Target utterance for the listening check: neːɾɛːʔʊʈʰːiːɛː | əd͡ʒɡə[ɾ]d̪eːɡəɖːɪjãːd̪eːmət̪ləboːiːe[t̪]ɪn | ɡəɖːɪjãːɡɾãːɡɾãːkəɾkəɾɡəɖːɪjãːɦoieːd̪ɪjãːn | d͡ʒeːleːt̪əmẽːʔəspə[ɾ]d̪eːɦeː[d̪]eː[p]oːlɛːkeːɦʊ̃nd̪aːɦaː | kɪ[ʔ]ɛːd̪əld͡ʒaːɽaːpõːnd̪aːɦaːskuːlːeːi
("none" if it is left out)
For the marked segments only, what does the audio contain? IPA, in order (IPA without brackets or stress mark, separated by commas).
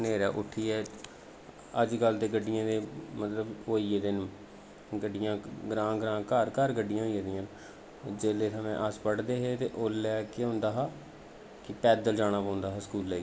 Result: l, d̪, ɽ, t̪, ʔ, p